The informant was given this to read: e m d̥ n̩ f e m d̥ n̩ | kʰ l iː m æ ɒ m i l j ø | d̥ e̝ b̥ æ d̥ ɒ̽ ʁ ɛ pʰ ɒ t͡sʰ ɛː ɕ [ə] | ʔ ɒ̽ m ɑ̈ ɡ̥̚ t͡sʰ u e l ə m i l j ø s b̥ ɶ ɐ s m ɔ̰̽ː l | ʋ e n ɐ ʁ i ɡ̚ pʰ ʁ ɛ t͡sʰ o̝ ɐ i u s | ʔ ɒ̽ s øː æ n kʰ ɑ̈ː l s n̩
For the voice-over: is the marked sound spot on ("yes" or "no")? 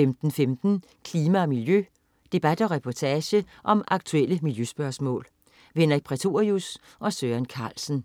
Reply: yes